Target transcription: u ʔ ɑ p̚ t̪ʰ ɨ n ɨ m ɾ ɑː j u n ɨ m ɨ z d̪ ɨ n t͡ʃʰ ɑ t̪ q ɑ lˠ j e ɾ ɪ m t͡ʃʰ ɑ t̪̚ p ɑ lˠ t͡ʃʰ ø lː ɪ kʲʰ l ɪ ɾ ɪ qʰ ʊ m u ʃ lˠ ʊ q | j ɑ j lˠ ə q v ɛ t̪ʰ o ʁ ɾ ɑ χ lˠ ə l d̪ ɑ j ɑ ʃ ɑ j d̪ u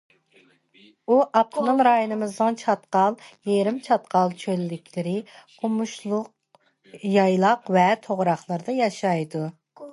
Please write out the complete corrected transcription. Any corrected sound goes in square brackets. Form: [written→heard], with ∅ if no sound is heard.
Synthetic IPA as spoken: u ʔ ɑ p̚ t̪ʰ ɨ n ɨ m ɾ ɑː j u n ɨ m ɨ z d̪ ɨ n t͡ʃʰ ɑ t̪ q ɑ lˠ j e ɾ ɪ m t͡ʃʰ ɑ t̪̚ [p→q] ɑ lˠ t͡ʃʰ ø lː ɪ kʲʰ l ɪ ɾ ɪ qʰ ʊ m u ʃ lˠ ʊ q | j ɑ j lˠ [ə→ɑ] q v ɛ t̪ʰ o ʁ ɾ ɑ χ lˠ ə [l→ɾ] d̪ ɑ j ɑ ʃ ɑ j d̪ u